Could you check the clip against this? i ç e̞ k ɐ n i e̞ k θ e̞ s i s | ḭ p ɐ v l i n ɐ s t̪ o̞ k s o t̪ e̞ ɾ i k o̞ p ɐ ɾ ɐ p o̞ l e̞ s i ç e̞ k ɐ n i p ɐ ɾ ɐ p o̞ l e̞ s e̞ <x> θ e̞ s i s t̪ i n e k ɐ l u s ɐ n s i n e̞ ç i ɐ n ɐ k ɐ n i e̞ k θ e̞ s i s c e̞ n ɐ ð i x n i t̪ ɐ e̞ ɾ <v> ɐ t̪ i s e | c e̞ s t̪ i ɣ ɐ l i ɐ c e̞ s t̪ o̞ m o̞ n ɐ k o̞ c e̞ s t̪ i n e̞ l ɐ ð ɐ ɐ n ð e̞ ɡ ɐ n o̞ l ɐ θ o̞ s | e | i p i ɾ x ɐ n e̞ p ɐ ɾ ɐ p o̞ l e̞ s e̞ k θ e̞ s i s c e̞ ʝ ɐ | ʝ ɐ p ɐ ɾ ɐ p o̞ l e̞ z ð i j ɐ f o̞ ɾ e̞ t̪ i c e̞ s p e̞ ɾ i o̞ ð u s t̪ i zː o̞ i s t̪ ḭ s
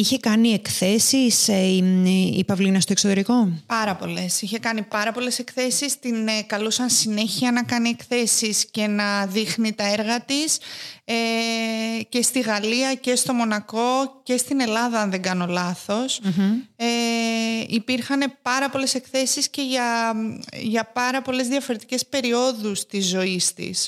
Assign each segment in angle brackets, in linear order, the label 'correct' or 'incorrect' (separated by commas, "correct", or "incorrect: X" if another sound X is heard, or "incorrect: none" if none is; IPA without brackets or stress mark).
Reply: incorrect: k, incorrect: ɣ